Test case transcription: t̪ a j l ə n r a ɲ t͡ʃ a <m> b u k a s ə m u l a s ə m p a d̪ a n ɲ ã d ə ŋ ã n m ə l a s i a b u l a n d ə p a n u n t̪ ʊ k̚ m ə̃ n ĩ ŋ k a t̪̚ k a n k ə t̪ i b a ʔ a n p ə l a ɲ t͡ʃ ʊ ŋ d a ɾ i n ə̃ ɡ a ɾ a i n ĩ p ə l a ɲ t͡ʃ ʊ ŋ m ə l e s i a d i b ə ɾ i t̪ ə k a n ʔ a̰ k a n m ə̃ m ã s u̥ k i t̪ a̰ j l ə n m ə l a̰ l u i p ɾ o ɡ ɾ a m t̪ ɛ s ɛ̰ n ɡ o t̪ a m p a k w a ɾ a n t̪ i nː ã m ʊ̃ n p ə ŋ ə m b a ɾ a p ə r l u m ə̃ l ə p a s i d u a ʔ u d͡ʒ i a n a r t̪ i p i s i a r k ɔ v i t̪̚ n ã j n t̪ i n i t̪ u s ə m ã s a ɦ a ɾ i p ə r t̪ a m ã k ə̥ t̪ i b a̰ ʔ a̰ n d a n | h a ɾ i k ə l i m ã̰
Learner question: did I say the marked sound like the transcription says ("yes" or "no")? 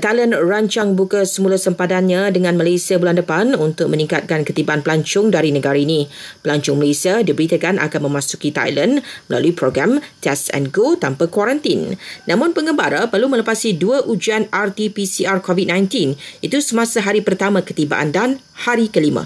no